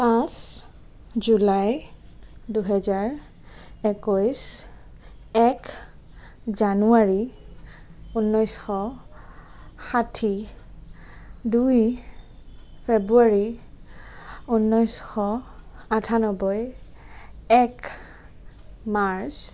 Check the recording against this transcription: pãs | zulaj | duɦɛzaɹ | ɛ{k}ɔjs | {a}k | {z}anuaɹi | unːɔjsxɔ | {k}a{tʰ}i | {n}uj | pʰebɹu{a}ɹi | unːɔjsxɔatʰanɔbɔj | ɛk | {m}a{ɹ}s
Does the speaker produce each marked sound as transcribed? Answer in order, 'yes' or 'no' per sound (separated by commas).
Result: yes, no, yes, no, yes, no, yes, yes, yes